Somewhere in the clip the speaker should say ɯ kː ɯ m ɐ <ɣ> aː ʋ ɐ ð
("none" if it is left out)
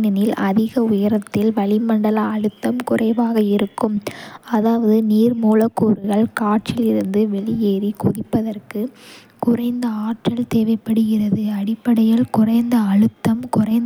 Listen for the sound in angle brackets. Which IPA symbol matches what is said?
ð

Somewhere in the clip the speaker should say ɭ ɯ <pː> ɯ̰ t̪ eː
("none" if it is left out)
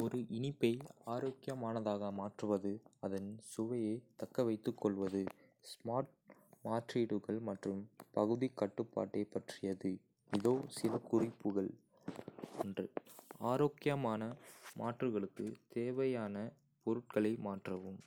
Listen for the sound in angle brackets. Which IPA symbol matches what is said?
kː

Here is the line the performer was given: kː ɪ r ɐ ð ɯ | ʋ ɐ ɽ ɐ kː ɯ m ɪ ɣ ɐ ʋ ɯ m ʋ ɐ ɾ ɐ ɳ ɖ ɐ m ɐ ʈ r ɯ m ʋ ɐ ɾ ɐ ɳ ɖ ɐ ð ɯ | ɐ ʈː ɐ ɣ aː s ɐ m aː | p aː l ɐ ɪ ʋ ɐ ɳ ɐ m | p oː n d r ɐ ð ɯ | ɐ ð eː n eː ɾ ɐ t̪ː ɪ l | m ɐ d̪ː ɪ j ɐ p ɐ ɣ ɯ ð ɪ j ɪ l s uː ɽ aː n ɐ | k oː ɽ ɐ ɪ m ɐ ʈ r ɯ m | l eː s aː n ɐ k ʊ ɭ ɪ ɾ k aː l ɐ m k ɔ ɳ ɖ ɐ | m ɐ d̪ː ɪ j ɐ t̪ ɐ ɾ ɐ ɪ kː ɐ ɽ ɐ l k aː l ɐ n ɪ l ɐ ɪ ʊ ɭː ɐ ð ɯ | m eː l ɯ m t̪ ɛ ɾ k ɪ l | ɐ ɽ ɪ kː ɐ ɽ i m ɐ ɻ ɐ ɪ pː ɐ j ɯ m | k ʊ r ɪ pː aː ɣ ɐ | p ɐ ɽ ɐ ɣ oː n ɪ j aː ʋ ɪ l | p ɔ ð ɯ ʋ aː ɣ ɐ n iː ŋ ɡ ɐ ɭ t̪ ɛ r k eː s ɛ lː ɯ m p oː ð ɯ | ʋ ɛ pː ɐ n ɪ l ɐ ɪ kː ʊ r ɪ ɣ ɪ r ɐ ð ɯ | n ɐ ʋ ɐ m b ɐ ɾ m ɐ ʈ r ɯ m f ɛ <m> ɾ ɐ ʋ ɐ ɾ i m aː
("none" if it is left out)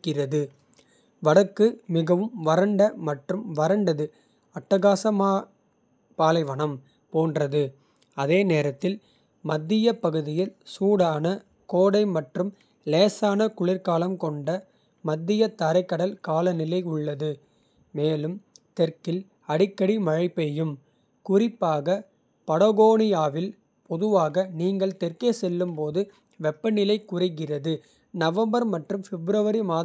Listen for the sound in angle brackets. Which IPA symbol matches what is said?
b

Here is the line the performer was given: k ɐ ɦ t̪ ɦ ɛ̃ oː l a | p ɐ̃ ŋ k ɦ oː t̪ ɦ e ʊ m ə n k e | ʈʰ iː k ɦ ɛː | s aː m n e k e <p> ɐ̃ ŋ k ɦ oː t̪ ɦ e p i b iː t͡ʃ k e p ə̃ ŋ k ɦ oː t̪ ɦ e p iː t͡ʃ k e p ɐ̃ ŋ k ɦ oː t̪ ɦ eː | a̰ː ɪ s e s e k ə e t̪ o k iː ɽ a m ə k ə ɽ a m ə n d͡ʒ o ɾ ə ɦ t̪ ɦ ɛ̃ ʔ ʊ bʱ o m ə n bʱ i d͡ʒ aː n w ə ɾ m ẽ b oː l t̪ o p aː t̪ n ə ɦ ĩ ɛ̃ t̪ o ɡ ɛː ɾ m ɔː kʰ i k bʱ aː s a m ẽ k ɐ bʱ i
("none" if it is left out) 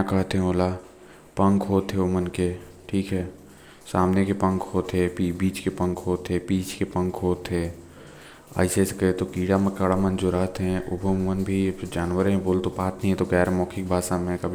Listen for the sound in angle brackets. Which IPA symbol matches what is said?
p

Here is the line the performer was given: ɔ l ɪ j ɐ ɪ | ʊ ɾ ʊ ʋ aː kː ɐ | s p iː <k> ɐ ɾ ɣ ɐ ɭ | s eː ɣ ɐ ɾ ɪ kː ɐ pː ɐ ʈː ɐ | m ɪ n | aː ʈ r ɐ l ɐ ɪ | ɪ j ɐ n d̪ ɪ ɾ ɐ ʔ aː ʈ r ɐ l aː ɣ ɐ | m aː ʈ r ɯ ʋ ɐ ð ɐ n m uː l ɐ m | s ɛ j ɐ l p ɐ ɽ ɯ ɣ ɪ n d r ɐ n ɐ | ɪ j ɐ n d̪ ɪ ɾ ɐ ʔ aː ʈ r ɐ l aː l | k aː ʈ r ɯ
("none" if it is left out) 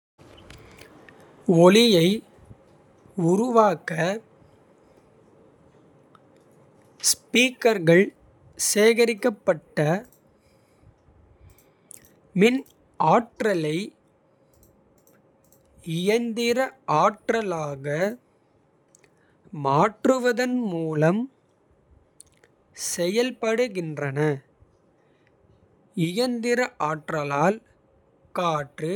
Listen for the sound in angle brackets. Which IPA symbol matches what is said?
k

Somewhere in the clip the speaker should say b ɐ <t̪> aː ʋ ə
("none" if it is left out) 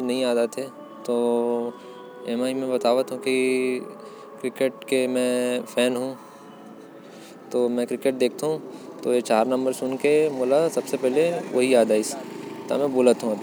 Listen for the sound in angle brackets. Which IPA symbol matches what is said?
t̪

